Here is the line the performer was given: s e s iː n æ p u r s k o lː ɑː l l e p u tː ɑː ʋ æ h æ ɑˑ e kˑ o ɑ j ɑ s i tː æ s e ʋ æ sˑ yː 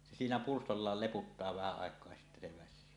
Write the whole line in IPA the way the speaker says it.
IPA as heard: s e s iː n æ p u r s t o lː ɑː l l e p u tː ɑː ʋ æ h æ ɑˑ e kˑ o ɑ j ɑ s i tː æ s e ʋ æ sˑ yː